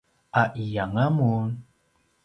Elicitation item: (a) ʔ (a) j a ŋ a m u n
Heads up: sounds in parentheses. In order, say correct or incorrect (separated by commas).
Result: correct, incorrect